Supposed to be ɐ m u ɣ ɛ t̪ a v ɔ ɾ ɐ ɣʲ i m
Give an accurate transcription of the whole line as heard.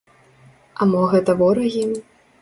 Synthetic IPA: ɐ m ɔ ɣ ɛ t̪ ɐ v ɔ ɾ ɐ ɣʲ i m